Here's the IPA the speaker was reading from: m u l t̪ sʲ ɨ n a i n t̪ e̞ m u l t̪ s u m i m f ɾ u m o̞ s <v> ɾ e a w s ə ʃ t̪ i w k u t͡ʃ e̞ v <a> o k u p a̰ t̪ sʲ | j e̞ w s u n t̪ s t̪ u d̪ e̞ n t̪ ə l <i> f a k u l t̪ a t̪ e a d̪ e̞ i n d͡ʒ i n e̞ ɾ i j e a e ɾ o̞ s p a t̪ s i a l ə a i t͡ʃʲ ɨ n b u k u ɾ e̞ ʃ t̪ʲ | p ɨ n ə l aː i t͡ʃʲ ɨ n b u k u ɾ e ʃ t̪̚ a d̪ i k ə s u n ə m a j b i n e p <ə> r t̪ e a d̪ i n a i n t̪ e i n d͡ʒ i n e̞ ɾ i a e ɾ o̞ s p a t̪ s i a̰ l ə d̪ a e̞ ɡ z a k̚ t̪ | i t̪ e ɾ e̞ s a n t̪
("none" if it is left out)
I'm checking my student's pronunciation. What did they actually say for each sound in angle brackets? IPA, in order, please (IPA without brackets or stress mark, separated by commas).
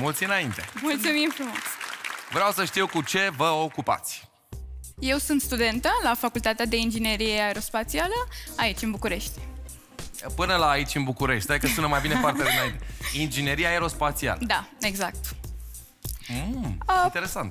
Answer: v, ə, a, a